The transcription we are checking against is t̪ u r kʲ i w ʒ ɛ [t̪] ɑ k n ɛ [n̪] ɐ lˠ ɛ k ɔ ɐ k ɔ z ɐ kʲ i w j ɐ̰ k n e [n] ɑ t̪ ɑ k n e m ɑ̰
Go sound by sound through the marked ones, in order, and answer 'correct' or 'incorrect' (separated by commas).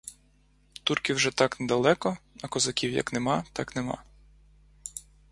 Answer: correct, incorrect, incorrect